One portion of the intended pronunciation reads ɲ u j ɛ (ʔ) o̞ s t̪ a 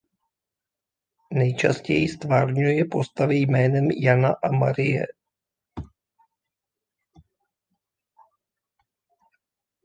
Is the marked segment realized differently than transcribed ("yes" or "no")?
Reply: yes